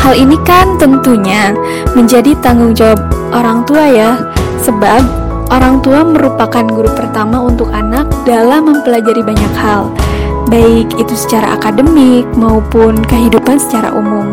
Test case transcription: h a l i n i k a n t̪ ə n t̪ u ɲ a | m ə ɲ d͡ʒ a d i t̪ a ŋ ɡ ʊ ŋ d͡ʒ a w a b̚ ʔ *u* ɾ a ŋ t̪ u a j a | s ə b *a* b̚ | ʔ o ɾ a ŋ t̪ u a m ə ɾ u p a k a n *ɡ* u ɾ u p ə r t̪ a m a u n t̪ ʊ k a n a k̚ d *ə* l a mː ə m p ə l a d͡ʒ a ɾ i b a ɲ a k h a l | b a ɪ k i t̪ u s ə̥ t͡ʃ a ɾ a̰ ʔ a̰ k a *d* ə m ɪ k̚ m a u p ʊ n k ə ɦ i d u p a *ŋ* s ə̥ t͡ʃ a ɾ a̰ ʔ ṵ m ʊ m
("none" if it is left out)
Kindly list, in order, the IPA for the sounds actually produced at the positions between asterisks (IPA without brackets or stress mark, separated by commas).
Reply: o, a, ɡ, a, d, n